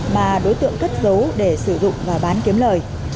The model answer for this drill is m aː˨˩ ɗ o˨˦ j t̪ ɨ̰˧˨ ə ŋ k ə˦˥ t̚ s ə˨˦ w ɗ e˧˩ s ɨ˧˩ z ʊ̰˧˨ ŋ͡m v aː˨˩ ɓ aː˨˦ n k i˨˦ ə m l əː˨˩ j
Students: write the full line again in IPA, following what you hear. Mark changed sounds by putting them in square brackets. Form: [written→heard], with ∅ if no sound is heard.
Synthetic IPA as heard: m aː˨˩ ɗ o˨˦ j t̪ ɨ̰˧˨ ə ŋ k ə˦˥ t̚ [s→z] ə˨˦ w ɗ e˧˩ s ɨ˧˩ z ʊ̰˧˨ ŋ͡m v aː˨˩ ɓ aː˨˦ n k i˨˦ ə m l əː˨˩ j